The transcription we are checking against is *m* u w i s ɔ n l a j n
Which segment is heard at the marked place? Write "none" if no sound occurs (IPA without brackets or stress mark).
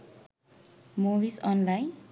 m